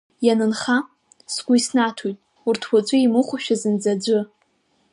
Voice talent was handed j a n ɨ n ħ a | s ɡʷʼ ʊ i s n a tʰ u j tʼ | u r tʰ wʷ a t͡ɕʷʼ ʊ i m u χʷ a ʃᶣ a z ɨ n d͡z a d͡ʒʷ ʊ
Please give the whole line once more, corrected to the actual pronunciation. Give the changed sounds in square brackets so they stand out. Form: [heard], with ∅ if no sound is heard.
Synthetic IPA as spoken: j a n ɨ n [χ] a | s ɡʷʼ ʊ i s n a tʰ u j tʼ | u r tʰ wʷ a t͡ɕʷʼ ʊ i m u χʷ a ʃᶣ a z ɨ n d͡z a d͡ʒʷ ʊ

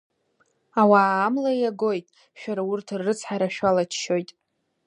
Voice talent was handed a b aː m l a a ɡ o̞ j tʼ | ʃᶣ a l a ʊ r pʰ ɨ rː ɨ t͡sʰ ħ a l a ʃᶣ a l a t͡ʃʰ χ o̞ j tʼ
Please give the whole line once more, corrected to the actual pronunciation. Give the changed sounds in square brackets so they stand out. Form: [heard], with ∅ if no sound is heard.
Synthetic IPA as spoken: a [w] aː m l a a ɡ o̞ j tʼ | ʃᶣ a [ɾ] a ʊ r [tʰ] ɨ rː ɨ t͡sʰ ħ a [ɾ] a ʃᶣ a l a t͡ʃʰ [ʃ] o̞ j tʼ

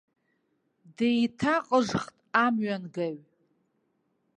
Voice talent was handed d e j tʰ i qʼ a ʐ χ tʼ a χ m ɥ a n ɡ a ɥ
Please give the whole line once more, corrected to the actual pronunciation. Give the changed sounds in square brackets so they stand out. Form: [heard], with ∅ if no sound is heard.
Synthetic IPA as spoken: d e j tʰ [a] qʼ [ə] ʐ χ tʼ a [∅] m ɥ a n ɡ a ɥ

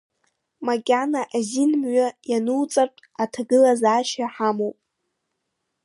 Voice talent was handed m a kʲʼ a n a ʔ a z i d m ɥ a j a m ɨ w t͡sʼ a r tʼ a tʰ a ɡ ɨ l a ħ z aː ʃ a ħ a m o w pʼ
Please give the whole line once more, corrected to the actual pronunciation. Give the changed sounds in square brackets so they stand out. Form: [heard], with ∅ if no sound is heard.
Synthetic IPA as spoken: m a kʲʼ a n a ʔ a z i [n] m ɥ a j a [n] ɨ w t͡sʼ a r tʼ a tʰ a ɡ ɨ l a [∅] z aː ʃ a ħ a m o w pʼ

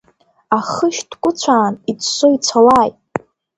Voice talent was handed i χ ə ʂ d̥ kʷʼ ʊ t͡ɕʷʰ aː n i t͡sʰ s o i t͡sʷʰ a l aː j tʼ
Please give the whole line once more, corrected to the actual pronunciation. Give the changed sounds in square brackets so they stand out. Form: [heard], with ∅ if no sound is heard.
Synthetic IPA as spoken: [a] χ ə [ʃ] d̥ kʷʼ ʊ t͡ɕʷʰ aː n i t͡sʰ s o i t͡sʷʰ a l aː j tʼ

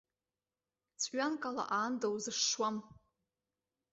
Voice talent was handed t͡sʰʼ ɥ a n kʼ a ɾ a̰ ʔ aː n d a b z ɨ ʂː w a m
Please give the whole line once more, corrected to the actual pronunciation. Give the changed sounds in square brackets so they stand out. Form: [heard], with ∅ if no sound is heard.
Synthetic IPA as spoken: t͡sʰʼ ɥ a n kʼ a [l] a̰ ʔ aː n d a [w] z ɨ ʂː w a m

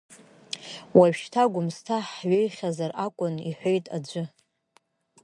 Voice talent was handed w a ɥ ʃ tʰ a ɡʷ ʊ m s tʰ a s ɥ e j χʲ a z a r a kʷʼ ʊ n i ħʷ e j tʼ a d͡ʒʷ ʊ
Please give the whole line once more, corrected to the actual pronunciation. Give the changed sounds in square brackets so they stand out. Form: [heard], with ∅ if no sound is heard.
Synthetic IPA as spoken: w a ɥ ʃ tʰ a ɡʷ ʊ m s tʰ a [ħ] ɥ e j χʲ a z a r a kʷʼ ʊ n i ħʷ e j tʼ a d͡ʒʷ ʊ

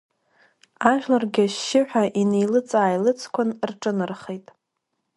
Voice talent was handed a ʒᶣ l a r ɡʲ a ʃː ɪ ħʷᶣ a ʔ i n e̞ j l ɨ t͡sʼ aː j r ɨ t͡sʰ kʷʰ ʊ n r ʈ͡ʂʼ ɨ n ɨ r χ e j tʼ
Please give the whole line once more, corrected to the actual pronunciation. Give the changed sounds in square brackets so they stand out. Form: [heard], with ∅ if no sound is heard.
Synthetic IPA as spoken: a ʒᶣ l a r ɡʲ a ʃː ɪ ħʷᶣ a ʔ i n e̞ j l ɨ t͡sʼ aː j [l] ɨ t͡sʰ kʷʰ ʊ n r ʈ͡ʂʼ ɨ n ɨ r χ e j tʼ

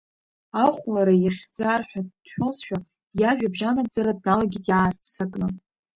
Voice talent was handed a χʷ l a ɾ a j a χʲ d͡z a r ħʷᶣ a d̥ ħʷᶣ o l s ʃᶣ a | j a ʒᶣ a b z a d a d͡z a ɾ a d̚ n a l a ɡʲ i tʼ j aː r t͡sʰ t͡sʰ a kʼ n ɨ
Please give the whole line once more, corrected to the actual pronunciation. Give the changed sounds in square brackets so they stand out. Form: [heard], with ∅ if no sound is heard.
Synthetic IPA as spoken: a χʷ l a ɾ a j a χʲ d͡z a r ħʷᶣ a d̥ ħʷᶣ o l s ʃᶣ a | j a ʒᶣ a b [ʒ] a [n] a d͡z a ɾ a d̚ n a l a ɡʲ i tʼ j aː r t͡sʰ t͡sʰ a kʼ n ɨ

